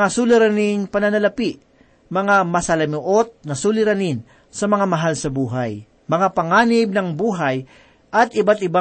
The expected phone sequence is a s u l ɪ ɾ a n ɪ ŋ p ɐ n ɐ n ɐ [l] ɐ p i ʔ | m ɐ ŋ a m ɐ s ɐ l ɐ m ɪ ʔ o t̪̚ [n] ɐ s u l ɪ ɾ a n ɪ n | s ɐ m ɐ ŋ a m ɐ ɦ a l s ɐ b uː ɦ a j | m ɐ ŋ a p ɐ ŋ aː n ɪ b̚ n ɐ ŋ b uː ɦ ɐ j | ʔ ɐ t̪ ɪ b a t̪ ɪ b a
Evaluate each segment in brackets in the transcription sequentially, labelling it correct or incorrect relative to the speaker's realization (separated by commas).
correct, correct